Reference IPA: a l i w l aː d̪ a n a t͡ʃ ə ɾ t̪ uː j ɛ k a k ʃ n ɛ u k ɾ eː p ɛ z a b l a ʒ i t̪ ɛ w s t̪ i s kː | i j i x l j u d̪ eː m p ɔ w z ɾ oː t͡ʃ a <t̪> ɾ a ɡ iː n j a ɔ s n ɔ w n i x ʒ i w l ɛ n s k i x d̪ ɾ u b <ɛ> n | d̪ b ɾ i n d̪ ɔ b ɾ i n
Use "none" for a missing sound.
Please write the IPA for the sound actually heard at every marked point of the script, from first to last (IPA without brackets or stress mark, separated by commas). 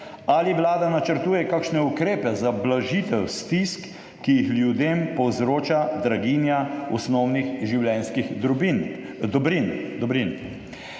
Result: d̪, i